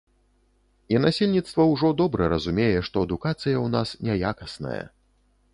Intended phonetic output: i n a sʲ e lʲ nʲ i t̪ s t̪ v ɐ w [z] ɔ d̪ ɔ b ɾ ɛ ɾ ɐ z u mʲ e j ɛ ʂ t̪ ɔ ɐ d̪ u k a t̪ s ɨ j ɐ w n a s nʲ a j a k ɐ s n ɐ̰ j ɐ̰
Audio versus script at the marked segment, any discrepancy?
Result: yes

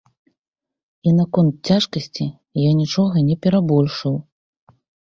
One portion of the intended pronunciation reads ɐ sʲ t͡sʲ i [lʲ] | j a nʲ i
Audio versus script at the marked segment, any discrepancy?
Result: yes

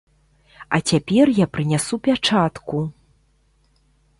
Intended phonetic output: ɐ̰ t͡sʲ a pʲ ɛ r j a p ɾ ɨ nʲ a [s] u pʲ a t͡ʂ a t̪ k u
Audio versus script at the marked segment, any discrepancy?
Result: no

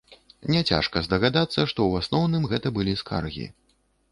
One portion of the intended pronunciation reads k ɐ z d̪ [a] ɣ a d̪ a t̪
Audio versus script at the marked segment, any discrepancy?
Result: yes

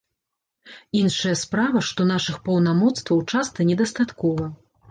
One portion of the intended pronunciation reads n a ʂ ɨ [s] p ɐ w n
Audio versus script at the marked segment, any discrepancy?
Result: yes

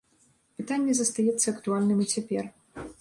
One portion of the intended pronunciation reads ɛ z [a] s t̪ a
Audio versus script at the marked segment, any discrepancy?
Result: yes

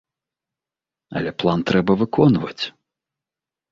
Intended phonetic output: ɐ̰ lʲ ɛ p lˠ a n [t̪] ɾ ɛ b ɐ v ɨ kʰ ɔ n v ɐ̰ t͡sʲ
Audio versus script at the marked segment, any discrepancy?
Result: no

